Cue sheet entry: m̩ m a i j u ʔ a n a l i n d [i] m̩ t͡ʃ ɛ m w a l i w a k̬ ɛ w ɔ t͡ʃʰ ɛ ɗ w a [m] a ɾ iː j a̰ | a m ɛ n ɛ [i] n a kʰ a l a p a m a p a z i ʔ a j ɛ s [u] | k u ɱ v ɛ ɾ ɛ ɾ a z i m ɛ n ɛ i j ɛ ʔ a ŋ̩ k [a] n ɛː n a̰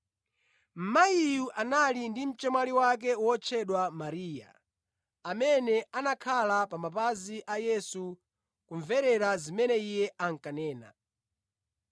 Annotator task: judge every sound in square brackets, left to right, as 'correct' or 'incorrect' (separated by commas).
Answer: correct, correct, incorrect, correct, correct